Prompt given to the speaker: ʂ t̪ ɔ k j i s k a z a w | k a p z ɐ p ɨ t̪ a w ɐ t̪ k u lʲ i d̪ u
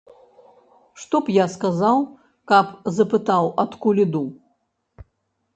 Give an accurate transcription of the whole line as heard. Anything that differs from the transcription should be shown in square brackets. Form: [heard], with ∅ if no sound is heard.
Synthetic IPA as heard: ʂ t̪ ɔ [p] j [a] s k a z a w | k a p z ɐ p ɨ t̪ a w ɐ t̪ k u lʲ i d̪ u

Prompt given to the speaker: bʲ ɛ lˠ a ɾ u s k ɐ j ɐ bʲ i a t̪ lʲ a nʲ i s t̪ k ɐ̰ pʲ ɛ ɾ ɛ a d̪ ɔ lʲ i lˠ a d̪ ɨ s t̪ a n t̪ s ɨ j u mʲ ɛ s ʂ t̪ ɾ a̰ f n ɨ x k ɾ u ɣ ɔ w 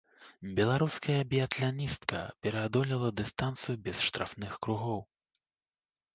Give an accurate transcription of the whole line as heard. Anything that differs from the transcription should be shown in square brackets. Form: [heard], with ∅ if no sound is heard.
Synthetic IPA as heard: bʲ ɛ lˠ a ɾ u s k ɐ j ɐ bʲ i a t̪ lʲ a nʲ i s t̪ k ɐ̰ pʲ ɛ ɾ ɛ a d̪ ɔ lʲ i lˠ [ɐ] d̪ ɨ s t̪ a n t̪ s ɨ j u [bʲ] ɛ s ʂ t̪ ɾ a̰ f n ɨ x k ɾ u ɣ ɔ w

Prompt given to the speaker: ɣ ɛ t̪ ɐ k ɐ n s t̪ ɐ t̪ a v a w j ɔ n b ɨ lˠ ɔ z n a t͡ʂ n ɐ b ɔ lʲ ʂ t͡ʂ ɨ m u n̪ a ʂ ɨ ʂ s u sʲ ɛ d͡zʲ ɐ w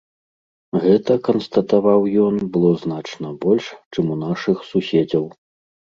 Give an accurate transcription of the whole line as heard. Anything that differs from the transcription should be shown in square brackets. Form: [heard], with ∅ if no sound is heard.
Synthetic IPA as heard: ɣ ɛ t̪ ɐ k ɐ n s t̪ ɐ t̪ a v a w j ɔ n b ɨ lˠ ɔ z n a t͡ʂ n ɐ b ɔ lʲ ʂ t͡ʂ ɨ m u n̪ a ʂ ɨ [x] s u sʲ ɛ d͡zʲ ɐ w

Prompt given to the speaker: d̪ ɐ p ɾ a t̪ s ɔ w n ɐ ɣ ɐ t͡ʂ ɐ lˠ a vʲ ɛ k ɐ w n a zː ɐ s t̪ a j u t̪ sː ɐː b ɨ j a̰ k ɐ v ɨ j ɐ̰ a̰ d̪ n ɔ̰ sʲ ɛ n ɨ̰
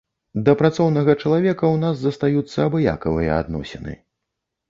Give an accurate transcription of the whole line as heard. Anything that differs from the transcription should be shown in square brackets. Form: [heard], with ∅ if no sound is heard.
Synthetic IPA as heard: d̪ ɐ p ɾ a t̪ s ɔ w n ɐ ɣ ɐ t͡ʂ ɐ lˠ a vʲ ɛ k ɐ w n a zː ɐ s t̪ a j u t̪ sː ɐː b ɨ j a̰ k ɐ v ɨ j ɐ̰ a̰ d̪ n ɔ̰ sʲ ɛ n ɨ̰

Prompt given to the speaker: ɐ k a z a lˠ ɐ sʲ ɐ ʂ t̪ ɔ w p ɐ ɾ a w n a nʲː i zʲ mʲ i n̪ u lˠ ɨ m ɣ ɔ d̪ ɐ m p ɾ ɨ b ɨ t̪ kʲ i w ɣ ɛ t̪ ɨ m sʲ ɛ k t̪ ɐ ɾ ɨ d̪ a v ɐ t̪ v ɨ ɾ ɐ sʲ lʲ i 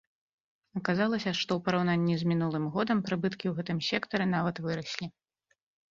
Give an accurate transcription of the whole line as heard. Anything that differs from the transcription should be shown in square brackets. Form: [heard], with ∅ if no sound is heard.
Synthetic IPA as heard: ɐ k a z a lˠ ɐ sʲ ɐ ʂ t̪ ɔ w p ɐ ɾ a w n a nʲː i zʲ mʲ i n̪ u lˠ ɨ m ɣ ɔ d̪ ɐ m p ɾ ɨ b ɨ t̪ kʲ i w ɣ ɛ t̪ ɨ m sʲ ɛ k t̪ ɐ ɾ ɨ [n̪] a v ɐ t̪ v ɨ ɾ ɐ sʲ lʲ i

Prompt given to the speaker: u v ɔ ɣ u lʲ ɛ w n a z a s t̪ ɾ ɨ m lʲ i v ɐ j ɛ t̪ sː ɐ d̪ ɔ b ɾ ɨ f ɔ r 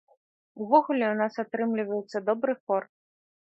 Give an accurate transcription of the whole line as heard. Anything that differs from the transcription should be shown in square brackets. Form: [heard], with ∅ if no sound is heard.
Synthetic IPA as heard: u v ɔ ɣ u lʲ ɛ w n a [s] a [∅] t̪ ɾ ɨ m lʲ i v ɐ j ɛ t̪ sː ɐ d̪ ɔ b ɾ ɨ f ɔ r

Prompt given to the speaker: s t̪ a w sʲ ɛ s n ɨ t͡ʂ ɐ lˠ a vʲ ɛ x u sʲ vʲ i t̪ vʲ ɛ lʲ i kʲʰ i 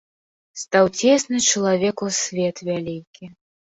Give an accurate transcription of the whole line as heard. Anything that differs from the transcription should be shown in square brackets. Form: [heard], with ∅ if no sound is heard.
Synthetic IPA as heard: s t̪ a w [t͡sʲ] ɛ s n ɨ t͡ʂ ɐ lˠ a vʲ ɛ [k] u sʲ vʲ [ɛ] t̪ vʲ [a] lʲ i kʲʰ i

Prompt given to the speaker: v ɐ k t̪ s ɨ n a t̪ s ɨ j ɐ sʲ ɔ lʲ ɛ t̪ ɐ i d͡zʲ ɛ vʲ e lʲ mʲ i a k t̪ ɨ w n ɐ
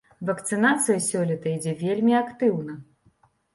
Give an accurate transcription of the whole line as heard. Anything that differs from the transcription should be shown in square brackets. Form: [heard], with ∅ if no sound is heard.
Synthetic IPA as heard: v ɐ k t̪ s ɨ n a t̪ s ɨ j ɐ sʲ ɔ lʲ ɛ t̪ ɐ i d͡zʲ ɛ vʲ e lʲ mʲ i a k t̪ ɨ w n ɐ

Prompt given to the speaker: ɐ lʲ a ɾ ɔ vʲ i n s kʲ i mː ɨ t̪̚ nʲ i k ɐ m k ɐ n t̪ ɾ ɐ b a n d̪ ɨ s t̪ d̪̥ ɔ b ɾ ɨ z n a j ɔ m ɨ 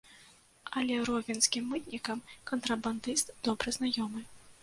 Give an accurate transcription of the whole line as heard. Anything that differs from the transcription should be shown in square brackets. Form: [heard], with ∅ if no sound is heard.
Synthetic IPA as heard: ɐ lʲ [ɛ] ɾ ɔ vʲ i n s kʲ i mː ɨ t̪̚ nʲ i k ɐ m k ɐ n t̪ ɾ ɐ b a n d̪ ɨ s t̪ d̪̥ ɔ b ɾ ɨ z n a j ɔ m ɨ

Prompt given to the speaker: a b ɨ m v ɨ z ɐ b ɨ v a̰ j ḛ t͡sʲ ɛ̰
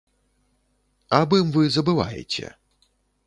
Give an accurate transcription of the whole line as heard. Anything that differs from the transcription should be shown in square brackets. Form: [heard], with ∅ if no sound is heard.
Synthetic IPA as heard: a b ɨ m v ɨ z ɐ b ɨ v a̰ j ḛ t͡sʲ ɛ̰

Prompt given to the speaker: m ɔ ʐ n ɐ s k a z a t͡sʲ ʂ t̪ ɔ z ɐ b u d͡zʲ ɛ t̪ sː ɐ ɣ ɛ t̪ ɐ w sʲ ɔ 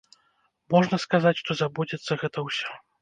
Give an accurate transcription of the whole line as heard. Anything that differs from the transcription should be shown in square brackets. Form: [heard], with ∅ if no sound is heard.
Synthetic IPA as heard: m ɔ ʐ n ɐ s k a z a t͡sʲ ʂ t̪ ɔ z [a] b u d͡zʲ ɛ t̪ sː ɐ ɣ ɛ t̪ ɐ w sʲ ɔ

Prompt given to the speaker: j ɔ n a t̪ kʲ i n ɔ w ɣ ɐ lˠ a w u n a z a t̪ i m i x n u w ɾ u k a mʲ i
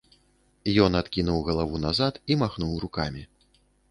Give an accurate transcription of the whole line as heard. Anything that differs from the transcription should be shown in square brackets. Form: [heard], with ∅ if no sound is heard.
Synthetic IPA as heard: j ɔ n a t̪ kʲ i n [u] w ɣ ɐ lˠ a [v] u n a z a t̪ i m [a] x n u w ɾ u k a mʲ i

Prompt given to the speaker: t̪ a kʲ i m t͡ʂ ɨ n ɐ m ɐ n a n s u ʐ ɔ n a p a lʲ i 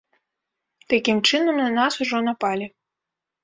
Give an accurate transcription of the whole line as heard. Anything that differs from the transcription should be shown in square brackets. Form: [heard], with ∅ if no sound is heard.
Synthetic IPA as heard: t̪ a kʲ i m t͡ʂ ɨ n ɐ m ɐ n a [∅] s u ʐ ɔ n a p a lʲ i

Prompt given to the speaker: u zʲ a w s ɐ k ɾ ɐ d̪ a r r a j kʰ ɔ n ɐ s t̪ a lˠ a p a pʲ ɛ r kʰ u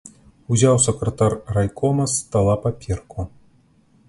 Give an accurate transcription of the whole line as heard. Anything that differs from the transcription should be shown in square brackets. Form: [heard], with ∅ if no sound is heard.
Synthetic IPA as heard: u zʲ a w s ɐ k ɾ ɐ [t̪] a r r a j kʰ ɔ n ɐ s t̪ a lˠ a p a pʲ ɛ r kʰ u

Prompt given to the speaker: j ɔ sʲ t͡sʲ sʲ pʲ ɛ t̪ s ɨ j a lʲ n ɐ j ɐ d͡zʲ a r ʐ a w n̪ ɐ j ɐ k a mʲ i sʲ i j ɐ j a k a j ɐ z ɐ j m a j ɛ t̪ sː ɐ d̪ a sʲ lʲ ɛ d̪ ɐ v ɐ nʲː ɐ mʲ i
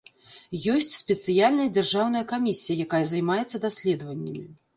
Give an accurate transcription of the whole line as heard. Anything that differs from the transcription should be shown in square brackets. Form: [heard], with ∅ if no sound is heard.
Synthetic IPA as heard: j ɔ sʲ t͡sʲ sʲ pʲ ɛ t̪ s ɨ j a lʲ n ɐ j ɐ d͡zʲ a r ʐ a w n̪ ɐ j ɐ k a mʲ i sʲ i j ɐ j a k a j ɐ z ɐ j m a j ɛ t̪ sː ɐ d̪ a sʲ lʲ ɛ d̪ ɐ v ɐ nʲː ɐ mʲ i

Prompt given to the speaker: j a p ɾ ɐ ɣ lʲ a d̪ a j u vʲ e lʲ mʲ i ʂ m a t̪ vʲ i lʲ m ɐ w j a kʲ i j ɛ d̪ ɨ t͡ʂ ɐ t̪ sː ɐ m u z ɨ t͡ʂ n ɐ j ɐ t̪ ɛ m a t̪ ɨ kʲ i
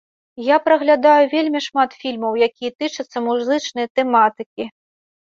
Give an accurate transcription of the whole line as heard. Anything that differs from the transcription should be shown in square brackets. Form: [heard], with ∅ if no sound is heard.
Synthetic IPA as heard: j a p ɾ ɐ ɣ lʲ a d̪ a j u vʲ e lʲ mʲ i ʂ m a t̪ [fʲ] i lʲ m ɐ w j a kʲ i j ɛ [t̪] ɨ t͡ʂ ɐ t̪ sː ɐ m u z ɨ t͡ʂ n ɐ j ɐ t̪ ɛ m a t̪ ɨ kʲ i

